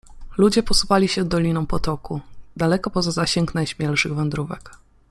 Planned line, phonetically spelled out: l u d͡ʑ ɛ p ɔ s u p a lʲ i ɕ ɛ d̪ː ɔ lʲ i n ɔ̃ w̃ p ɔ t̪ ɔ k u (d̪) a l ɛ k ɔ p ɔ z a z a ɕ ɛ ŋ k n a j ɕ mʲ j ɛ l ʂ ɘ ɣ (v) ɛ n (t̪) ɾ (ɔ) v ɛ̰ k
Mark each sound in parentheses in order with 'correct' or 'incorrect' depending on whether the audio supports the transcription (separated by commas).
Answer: correct, correct, incorrect, incorrect